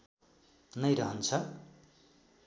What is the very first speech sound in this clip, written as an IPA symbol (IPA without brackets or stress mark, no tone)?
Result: n